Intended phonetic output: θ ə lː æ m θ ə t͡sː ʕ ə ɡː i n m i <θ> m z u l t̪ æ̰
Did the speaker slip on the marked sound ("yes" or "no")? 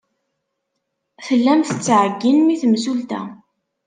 no